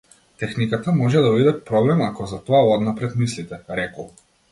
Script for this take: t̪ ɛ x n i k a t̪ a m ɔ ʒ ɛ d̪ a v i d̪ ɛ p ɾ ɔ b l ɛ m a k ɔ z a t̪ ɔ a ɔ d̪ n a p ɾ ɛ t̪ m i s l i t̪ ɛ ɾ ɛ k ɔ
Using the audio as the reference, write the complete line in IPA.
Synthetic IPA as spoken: t̪ ɛ x n i k a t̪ a m ɔ ʒ ɛ d̪ a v i d̪ ɛ p ɾ ɔ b l ɛ m a k ɔ z a t̪ ɔ a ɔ d̪ n a p ɾ ɛ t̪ m i s l i t̪ ɛ ɾ ɛ k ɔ

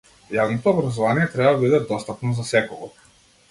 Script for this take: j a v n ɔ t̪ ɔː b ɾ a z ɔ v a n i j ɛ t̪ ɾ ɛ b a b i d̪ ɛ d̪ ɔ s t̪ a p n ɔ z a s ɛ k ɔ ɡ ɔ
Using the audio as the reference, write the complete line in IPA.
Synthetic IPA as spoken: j a v n ɔ t̪ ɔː b ɾ a z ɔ v a n i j ɛ t̪ ɾ ɛ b a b i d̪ ɛ d̪ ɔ s t̪ a p n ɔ z a s ɛ k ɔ ɡ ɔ

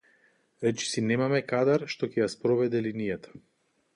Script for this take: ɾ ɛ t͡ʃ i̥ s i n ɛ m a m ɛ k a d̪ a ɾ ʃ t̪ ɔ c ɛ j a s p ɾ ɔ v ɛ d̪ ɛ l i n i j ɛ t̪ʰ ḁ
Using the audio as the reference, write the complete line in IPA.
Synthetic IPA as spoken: ɾ ɛ t͡ʃ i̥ s i n ɛ m a m ɛ k a d̪ a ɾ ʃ t̪ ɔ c ɛ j a s p ɾ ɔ v ɛ d̪ ɛ l i n i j a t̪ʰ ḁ

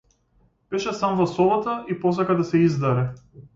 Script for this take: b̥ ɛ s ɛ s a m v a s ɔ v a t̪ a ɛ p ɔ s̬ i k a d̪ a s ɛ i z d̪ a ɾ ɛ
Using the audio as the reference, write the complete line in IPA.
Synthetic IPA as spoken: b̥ ɛ ʃ ɛ s a m v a s ɔ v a t̪ a i p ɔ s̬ a k a d̪ a s ɛ i z d̪ a ɾ ɛ

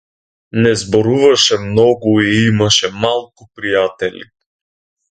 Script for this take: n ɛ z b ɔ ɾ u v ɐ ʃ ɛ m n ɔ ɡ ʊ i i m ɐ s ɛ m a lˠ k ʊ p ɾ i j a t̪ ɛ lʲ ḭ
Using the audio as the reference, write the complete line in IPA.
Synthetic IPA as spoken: n ɛ z b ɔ ɾ u v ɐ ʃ ɛ m n ɔ ɡ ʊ i i m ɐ ʃ ɛ m a lˠ k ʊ p ɾ i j a t̪ ɛ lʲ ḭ

